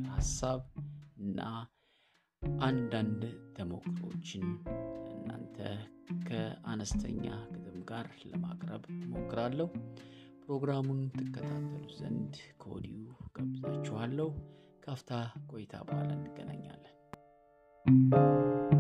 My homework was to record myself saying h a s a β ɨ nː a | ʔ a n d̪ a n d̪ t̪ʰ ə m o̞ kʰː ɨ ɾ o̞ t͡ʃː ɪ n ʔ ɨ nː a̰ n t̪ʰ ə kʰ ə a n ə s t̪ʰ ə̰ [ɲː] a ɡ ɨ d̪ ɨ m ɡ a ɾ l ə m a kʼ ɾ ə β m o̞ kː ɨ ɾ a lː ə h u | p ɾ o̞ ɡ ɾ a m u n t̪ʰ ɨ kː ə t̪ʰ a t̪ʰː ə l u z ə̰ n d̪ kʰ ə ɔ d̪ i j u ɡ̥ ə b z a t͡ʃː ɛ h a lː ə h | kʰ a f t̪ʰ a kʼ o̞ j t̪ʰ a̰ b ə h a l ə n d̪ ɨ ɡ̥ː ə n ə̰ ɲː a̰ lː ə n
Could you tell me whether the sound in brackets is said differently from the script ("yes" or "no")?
no